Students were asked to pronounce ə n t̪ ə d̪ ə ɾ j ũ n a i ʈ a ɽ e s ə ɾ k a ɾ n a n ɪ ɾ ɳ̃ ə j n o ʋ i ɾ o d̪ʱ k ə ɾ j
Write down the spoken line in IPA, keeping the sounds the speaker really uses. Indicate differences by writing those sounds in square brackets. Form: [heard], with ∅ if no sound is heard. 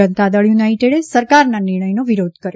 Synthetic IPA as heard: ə n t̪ [a] d̪ ə [ɭ] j [u] n a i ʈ [e] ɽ e s ə ɾ k a ɾ n a n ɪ ɾ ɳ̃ ə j n o ʋ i ɾ o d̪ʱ k ə ɾ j